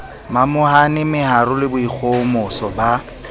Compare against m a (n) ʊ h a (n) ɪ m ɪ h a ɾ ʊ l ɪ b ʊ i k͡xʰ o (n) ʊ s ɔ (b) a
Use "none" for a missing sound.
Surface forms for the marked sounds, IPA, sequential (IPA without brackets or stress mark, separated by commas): m, n, m, b